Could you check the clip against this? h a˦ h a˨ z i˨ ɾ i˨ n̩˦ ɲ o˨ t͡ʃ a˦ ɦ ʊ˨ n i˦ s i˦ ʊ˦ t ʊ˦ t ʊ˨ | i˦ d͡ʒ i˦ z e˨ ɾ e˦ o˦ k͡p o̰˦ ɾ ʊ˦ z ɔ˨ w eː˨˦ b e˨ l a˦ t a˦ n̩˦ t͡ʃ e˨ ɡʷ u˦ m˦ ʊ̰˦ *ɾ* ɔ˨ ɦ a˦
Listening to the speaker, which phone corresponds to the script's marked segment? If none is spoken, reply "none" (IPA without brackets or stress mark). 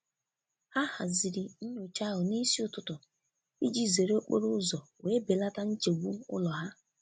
l